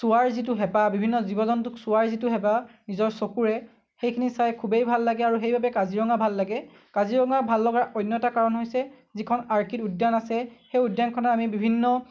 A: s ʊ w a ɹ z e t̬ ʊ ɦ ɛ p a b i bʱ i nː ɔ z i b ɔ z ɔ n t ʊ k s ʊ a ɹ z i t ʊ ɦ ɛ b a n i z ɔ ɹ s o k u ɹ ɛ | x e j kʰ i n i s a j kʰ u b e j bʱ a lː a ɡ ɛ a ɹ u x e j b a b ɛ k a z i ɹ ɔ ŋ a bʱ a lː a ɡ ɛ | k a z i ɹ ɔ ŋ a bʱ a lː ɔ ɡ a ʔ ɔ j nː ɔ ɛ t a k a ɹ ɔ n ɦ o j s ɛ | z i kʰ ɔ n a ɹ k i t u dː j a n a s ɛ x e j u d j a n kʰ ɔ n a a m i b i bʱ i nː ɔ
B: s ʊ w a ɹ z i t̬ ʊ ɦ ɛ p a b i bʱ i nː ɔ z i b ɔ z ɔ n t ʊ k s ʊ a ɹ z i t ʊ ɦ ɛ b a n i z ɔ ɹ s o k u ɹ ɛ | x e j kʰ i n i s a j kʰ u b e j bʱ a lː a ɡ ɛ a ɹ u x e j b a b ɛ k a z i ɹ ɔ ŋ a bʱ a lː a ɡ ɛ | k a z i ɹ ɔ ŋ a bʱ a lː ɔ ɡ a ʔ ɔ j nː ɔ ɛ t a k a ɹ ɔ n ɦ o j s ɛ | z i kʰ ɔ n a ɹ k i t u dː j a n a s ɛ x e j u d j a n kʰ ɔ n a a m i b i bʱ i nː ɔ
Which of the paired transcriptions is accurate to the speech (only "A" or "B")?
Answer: B